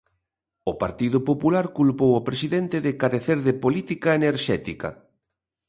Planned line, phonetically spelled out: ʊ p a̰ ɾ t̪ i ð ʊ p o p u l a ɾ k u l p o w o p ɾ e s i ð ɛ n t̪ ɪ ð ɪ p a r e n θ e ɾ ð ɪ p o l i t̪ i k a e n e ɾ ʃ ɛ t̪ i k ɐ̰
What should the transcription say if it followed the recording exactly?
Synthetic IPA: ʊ p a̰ ɾ t̪ i ð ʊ p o p u l a ɾ k u l p o w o p ɾ e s i ð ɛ n t̪ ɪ ð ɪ k a ɾ e θ e ɾ ð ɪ p o l i t̪ i k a e n e ɾ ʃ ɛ t̪ i k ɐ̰